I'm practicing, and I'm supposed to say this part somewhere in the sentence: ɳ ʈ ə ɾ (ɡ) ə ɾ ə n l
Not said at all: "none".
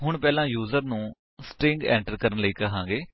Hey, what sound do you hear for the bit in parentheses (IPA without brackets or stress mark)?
k